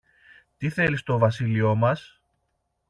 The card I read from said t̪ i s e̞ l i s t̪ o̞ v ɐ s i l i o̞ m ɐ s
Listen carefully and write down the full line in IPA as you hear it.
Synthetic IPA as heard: t̪ i θ e̞ l i s t̪ o̞ v ɐ s i l i o̞ m ɐ s